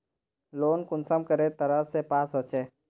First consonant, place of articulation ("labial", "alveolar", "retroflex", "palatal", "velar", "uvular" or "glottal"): alveolar